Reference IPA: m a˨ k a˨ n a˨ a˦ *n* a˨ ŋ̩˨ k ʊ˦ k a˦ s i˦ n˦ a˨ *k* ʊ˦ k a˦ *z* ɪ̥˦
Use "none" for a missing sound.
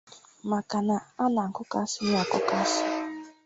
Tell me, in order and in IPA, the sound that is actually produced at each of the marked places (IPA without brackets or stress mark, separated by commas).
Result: n, k, s